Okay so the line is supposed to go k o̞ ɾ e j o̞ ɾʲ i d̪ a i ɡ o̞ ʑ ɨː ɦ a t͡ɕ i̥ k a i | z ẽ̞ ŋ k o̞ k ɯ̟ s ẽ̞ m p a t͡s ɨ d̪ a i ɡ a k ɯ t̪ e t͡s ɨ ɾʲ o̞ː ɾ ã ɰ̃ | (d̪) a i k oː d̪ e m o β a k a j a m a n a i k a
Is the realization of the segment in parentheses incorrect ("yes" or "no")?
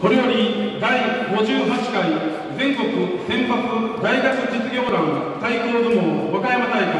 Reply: yes